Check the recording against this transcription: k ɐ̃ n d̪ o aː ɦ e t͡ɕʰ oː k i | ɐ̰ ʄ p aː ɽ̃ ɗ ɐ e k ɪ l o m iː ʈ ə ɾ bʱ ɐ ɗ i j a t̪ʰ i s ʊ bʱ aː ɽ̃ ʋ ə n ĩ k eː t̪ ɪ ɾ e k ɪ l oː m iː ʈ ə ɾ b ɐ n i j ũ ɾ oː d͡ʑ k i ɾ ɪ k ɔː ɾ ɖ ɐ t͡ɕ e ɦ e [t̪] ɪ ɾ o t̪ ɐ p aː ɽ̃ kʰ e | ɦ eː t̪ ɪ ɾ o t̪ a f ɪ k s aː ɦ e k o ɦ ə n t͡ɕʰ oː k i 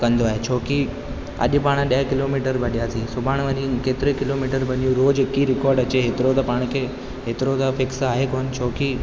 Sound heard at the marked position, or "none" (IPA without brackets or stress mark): t̪